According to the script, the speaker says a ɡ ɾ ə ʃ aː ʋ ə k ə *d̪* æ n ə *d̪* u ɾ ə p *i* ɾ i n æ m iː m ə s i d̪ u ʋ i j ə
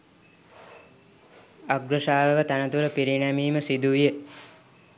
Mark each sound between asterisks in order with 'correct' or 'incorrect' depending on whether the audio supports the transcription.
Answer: incorrect, incorrect, correct

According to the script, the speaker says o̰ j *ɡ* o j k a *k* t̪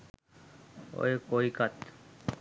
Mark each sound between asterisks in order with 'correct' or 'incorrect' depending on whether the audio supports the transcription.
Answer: incorrect, incorrect

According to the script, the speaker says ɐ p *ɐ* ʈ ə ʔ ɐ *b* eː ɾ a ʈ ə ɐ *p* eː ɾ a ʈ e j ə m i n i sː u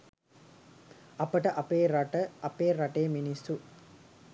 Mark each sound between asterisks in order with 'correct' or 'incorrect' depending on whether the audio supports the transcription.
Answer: incorrect, incorrect, correct

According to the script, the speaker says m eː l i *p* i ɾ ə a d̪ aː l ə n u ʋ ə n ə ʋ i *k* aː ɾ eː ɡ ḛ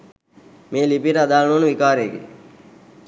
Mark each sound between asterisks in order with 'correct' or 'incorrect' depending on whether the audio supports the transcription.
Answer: correct, correct

